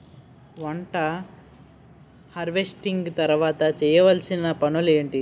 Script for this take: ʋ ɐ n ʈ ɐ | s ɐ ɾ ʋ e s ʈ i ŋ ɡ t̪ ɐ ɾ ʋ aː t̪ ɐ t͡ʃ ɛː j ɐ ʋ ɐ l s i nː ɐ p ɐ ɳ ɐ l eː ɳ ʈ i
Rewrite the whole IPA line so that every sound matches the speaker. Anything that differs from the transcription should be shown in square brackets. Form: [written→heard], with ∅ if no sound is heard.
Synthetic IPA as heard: ʋ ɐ [n→ɳ] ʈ ɐ | [s→h] ɐ ɾ ʋ e s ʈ i ŋ ɡ t̪ ɐ ɾ ʋ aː t̪ ɐ t͡ʃ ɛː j ɐ ʋ ɐ l s i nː ɐ p ɐ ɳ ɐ l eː ɳ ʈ i